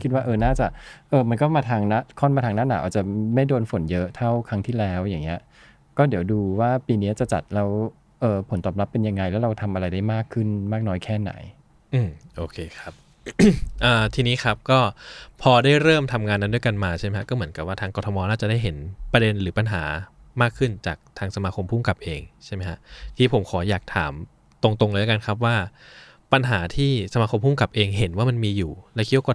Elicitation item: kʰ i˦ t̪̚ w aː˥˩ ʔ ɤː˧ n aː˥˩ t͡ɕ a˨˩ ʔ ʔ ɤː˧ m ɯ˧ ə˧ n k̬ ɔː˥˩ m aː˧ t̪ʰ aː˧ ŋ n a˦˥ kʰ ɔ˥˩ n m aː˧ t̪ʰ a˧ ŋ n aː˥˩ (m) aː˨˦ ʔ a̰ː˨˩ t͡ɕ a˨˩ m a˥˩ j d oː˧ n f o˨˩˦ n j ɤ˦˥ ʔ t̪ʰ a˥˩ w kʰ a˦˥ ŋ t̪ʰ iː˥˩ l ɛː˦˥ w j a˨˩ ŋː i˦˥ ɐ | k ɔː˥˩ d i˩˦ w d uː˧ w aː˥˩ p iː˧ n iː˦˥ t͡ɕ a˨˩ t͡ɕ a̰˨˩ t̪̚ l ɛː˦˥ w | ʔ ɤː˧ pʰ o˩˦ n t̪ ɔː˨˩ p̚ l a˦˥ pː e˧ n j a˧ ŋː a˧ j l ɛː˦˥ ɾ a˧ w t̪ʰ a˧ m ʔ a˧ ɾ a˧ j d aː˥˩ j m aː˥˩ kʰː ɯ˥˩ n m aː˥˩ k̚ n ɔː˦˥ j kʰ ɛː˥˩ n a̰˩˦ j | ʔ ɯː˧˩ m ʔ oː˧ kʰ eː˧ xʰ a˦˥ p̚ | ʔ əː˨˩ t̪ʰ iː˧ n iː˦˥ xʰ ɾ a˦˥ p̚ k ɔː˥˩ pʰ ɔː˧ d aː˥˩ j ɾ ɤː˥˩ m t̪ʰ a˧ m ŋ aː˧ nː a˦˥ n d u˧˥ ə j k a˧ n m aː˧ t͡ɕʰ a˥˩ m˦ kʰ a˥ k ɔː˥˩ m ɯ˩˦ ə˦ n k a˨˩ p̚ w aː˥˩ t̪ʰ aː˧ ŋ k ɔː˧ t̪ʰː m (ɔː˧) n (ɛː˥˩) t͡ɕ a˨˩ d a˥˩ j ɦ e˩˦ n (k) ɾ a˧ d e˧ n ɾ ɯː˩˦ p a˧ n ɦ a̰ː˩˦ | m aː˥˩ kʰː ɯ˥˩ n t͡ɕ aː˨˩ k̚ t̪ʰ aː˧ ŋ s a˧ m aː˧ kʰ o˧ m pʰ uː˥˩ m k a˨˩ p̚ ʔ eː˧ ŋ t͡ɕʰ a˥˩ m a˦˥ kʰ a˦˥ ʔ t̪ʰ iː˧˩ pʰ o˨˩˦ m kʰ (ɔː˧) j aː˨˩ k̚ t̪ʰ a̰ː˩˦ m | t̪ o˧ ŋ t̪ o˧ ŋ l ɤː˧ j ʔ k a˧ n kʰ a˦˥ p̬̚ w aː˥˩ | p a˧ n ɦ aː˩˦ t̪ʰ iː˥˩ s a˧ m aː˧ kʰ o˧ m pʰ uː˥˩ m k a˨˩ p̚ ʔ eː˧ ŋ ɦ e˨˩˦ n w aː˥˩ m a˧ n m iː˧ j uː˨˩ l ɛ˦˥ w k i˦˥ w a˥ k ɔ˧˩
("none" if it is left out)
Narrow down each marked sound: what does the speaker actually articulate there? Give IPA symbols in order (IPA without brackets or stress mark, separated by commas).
n, ɔː˧, aː˥˩, p, ɔː˩˦